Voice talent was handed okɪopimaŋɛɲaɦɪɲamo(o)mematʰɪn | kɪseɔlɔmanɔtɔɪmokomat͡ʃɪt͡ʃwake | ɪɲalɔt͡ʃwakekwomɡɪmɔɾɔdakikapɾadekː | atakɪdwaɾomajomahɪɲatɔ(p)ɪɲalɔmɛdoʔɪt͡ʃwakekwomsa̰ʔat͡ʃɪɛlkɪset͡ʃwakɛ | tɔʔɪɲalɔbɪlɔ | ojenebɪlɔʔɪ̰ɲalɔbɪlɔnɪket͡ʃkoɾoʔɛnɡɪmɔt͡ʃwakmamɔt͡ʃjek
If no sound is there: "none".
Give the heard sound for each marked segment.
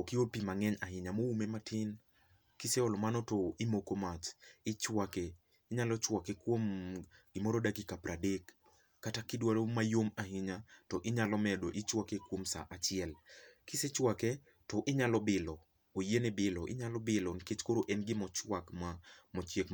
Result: u, ʔ

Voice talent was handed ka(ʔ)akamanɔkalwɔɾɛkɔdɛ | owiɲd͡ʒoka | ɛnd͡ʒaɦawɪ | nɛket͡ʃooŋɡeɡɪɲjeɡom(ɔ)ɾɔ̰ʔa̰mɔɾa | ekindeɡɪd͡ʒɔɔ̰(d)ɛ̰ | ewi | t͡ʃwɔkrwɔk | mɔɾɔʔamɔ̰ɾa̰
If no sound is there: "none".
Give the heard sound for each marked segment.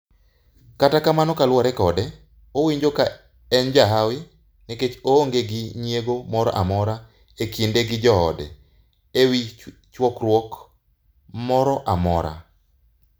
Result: t, ɔ, d

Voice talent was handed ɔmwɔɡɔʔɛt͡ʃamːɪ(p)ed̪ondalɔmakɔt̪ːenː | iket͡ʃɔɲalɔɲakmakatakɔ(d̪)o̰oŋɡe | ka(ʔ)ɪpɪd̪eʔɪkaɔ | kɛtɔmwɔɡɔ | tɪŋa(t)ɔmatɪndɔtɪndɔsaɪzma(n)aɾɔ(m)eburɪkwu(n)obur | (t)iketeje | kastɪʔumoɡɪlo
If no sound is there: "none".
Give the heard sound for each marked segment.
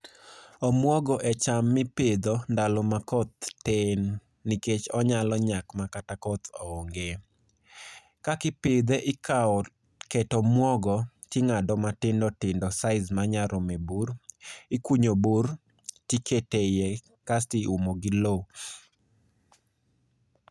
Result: p, t̪, k, d, ɲ, m, ɲ, t

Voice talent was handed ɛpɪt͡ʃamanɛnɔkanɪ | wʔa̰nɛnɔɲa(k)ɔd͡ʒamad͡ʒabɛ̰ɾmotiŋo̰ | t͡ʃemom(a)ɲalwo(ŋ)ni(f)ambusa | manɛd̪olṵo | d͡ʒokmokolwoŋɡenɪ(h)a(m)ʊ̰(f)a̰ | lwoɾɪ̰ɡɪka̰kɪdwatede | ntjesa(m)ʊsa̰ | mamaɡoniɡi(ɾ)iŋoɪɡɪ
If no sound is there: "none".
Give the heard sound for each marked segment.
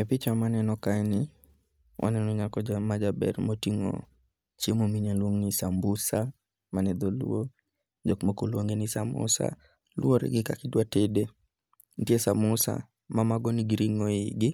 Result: k, i, ŋ, s, s, m, s, m, ɾ

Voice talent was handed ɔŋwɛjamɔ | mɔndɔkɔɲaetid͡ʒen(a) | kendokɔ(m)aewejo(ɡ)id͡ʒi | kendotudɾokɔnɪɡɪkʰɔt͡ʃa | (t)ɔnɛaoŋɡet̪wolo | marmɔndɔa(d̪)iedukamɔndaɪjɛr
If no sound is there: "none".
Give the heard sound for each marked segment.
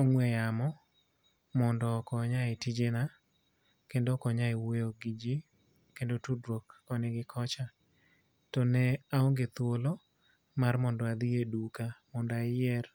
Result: a, ɲ, ɡ, t, d̪

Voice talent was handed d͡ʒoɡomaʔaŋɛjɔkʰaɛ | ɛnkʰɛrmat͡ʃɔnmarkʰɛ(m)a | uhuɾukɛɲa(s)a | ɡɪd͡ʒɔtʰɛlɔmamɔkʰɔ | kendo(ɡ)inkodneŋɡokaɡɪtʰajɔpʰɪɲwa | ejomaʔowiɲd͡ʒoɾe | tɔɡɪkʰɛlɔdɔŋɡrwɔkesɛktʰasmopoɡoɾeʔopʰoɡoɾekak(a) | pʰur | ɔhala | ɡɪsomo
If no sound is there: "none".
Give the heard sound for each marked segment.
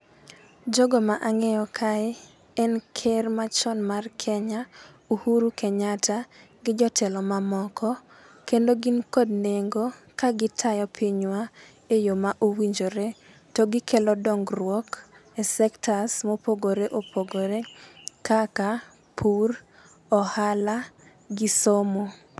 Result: ɲ, t, ɡ, a

